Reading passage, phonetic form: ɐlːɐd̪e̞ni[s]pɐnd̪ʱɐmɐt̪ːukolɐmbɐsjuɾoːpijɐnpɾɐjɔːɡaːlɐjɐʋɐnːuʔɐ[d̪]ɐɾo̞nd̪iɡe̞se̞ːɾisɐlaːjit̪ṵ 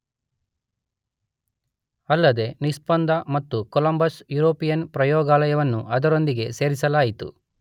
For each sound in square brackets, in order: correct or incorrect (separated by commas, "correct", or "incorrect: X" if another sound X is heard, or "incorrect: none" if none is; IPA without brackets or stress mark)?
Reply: correct, correct